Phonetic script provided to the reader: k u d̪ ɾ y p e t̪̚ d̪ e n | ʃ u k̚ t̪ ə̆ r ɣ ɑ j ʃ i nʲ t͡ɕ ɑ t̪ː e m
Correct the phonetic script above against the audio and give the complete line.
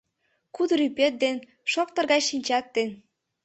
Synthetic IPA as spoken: k u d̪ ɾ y p e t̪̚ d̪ e n | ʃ o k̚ t̪ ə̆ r ɣ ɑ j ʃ i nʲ t͡ɕ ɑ t̪ː e n